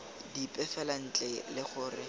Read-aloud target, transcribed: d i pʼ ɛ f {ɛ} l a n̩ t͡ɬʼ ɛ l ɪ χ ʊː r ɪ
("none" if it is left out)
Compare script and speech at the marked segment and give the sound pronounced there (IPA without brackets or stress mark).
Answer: ɛ